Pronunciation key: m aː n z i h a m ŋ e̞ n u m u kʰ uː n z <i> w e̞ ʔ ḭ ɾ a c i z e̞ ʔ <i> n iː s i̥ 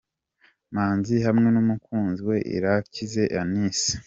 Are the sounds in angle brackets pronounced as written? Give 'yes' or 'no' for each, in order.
yes, no

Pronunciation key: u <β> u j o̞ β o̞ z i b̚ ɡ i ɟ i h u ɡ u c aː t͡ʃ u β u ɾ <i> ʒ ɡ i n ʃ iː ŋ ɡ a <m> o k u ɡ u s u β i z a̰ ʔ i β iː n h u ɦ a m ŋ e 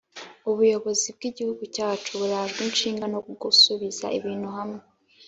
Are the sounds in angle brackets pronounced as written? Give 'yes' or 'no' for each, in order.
yes, no, no

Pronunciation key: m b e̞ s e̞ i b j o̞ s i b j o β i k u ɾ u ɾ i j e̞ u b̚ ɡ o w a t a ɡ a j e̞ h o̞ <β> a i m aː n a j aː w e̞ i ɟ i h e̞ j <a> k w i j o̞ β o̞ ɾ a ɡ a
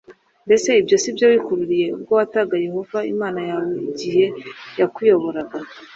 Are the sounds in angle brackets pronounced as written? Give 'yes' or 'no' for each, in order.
no, yes

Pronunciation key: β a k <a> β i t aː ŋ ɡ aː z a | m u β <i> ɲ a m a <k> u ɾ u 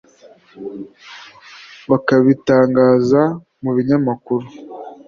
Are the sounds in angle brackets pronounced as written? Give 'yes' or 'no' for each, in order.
yes, yes, yes

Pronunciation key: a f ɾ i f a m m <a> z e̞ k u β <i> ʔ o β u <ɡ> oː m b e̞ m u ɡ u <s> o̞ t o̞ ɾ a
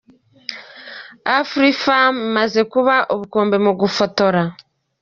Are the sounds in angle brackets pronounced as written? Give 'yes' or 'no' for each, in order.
yes, no, no, no

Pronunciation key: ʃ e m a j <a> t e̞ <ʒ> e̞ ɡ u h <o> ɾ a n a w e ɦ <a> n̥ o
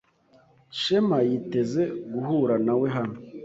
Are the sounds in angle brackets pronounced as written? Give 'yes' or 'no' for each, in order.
no, no, no, yes

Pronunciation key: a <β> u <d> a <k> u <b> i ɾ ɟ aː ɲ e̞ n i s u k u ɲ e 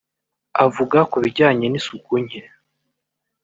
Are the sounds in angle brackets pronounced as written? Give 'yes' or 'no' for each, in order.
no, no, yes, no

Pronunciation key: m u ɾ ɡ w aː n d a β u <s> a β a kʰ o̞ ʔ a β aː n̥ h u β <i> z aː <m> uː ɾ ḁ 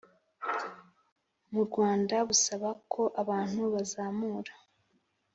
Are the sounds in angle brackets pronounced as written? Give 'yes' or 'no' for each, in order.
yes, no, yes

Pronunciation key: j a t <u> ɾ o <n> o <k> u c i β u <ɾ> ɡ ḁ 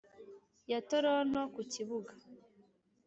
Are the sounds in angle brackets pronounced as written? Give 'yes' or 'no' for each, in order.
no, yes, yes, no

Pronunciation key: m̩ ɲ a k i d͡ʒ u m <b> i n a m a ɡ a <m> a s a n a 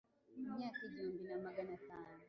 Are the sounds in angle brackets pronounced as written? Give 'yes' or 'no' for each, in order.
yes, no

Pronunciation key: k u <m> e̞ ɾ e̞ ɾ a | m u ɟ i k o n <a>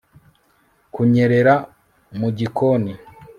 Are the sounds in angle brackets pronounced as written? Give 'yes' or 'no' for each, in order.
no, no

